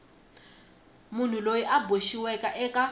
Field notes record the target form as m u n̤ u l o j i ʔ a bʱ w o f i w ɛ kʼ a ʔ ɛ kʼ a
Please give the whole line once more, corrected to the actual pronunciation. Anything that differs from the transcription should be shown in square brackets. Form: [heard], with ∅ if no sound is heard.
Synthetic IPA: m u n̤ u l o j i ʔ a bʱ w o [ʃ] i w ɛ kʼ a ʔ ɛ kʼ a